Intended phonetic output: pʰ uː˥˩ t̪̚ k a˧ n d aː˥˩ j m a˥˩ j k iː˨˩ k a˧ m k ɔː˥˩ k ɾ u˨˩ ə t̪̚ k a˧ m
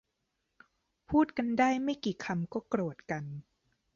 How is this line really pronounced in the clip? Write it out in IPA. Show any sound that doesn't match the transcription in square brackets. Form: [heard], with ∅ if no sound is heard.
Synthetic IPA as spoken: pʰ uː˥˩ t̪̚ k a˧ n d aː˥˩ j m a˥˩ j k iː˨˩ [kʰ] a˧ m k ɔː˥˩ k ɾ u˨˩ ə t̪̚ k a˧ [n]